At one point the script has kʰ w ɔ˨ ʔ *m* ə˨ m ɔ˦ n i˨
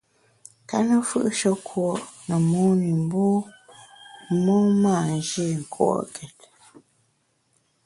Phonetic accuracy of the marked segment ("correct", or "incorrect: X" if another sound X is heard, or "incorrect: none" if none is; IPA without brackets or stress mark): incorrect: n